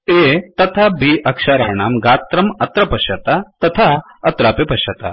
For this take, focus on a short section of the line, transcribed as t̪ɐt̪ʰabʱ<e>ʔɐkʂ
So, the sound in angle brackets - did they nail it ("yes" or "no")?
no